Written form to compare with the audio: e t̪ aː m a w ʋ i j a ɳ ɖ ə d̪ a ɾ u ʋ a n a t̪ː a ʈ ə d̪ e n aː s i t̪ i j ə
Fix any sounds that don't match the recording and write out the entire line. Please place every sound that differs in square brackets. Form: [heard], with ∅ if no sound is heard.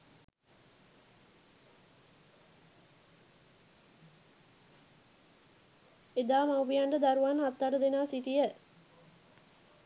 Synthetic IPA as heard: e [d̪] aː m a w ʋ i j a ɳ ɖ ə d̪ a ɾ u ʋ a n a t̪ː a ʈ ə d̪ e n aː s i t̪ i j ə

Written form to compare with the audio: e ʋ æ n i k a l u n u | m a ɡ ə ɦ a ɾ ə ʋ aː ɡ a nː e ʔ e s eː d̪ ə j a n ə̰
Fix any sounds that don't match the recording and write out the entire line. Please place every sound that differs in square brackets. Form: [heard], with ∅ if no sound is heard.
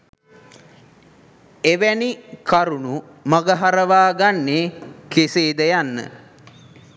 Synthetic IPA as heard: e ʋ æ n i k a [ɾ] u n u | m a ɡ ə ɦ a ɾ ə ʋ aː ɡ a nː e [k] e s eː d̪ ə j a [nː] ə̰

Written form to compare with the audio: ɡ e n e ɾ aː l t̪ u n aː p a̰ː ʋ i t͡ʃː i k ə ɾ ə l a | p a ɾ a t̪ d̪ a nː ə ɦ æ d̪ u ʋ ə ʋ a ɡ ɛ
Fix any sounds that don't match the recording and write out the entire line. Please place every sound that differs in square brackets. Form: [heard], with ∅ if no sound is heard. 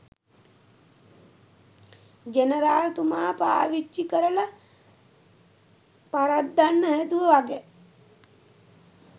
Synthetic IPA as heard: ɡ e n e ɾ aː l t̪ u [m] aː p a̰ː ʋ i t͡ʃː i k ə ɾ ə l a | p a ɾ a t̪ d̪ a nː ə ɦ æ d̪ u ʋ ə ʋ a ɡ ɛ

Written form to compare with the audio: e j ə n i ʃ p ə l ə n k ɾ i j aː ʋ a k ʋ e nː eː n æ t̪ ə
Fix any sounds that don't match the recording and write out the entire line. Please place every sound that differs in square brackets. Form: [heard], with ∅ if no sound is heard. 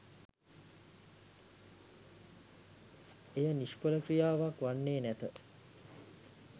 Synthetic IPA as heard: e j ə n i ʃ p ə l ə [∅] k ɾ i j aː ʋ a k ʋ [a] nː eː n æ t̪ ə

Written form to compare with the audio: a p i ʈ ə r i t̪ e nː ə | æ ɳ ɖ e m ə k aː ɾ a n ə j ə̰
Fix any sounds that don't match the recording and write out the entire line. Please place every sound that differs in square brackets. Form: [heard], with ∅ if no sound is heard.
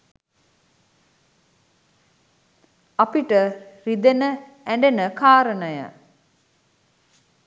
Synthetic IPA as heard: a p i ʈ ə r i [d̪] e [n] ə | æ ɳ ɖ e [n] ə k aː ɾ [ə] n ə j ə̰

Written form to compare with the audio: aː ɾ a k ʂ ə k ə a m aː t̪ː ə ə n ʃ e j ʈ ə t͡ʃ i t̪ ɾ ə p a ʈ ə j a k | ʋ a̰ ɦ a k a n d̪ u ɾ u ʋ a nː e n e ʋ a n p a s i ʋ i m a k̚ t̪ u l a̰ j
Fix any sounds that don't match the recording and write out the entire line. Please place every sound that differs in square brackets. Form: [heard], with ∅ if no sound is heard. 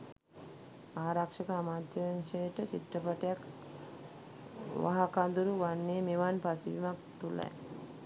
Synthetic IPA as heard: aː ɾ a k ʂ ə k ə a m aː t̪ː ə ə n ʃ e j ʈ ə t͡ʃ i t̪ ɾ ə p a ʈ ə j a k | ʋ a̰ ɦ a k a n d̪ u ɾ u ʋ a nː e [m] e ʋ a n p a s i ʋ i m a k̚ t̪ u l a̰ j

